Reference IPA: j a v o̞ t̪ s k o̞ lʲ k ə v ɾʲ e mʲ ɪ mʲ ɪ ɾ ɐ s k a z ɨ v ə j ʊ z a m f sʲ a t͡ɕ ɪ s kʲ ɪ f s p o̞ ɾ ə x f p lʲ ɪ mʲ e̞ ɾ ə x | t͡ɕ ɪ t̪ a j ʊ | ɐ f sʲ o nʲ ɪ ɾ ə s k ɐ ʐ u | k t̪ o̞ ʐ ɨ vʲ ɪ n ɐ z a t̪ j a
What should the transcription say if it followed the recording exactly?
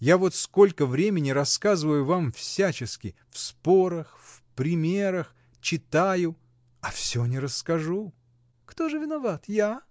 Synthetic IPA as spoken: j a v o̞ t̪ s k o̞ lʲ k ə v ɾʲ e mʲ ɪ nʲ ɪ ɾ ɐ s k a z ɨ v ə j ʊ v a m f sʲ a t͡ɕ ɪ s kʲ ɪ f s p o̞ ɾ ə x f p ɾʲ ɪ mʲ e̞ ɾ ə x | t͡ɕ ɪ t̪ a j ʊ | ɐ f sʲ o nʲ ɪ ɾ ə s k ɐ ʐ u | k t̪ o̞ ʐ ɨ vʲ ɪ n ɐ v a t̪ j a